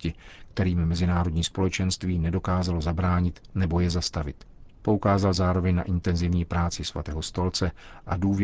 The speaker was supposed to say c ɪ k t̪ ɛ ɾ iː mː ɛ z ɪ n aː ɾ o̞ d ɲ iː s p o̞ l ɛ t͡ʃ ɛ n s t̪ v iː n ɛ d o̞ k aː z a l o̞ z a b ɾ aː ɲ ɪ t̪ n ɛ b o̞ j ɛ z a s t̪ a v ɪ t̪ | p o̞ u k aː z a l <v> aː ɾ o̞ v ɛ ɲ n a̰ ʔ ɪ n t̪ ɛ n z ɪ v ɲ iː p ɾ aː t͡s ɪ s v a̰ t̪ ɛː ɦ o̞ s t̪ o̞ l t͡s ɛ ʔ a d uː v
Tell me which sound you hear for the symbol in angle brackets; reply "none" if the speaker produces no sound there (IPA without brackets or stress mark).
z